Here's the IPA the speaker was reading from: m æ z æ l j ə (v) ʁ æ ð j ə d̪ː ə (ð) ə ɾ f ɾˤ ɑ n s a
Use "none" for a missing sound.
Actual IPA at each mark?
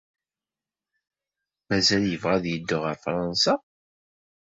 v, ʁ

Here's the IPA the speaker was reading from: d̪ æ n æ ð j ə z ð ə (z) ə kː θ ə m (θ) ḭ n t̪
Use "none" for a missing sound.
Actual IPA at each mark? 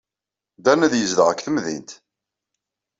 ʁ, ð

